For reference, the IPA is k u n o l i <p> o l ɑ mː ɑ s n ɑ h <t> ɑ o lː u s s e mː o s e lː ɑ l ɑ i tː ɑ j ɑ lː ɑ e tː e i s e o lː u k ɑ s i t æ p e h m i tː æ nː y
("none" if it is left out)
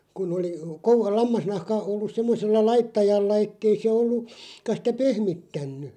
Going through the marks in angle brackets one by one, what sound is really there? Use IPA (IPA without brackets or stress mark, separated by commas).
k, k